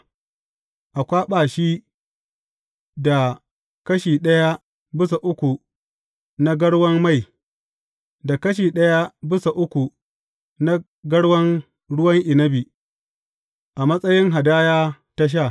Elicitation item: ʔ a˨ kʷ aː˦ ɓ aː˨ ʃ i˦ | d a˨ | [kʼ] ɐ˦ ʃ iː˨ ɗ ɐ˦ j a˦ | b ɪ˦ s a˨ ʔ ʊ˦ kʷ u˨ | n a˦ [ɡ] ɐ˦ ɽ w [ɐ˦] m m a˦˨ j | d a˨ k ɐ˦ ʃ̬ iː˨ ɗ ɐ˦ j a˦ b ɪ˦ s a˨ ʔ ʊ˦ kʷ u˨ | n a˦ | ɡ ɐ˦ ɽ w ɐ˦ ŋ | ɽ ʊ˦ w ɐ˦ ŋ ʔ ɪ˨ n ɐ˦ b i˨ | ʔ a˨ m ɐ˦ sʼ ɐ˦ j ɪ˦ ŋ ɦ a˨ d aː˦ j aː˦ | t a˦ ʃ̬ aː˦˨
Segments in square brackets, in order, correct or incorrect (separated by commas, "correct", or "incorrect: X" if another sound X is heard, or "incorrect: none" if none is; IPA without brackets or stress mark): incorrect: k, correct, correct